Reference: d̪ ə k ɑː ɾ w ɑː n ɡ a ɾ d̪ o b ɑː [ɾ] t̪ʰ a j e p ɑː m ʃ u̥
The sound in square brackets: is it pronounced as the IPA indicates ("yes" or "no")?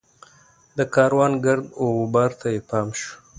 yes